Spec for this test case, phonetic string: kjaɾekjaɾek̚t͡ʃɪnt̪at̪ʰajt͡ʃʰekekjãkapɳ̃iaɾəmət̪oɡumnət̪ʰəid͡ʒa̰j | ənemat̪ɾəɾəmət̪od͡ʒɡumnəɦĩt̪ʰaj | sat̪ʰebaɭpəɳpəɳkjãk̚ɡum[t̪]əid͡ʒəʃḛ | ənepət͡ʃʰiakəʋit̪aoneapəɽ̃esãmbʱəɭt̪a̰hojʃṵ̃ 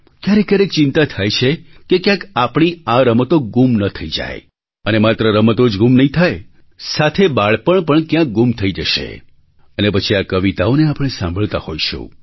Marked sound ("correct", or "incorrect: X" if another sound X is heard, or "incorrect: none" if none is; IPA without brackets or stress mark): incorrect: t̪ʰ